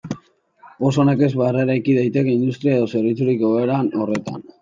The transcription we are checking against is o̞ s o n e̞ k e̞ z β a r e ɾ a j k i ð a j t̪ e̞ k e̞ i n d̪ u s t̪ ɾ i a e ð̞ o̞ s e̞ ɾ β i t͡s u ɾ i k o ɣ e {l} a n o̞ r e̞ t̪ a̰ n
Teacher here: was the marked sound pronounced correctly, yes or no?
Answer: no